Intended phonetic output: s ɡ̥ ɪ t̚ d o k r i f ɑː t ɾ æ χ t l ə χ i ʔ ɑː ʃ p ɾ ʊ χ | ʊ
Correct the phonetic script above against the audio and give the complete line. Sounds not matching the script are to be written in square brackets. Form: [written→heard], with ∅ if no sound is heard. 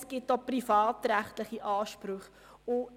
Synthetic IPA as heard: s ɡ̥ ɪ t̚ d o [k→p] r i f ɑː t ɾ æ χ t l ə χ i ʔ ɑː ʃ p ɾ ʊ χ | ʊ